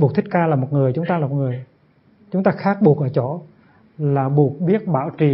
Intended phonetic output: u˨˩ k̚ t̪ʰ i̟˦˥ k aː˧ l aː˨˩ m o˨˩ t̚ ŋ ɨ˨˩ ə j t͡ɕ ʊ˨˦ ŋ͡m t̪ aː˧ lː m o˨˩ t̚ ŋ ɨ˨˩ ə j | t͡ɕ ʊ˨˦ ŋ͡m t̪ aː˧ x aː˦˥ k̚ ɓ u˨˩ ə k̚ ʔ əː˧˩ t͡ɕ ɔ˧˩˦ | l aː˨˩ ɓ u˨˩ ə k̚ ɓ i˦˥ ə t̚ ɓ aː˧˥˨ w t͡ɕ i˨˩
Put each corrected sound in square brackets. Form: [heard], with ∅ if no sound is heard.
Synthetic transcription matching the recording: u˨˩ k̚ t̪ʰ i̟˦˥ k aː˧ l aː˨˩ m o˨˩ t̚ ŋ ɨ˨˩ ə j t͡ɕ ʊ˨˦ ŋ͡m t̪ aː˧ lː m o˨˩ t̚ ŋ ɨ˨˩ ə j | t͡ɕ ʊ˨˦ ŋ͡m t̪ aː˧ x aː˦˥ k̚ ɓ u˨˩ ə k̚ ʔ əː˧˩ t͡ɕ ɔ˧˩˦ | l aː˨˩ ɓ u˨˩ ə k̚ ɓ i˦˥ ə t̚ ɓ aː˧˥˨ w t͡ɕ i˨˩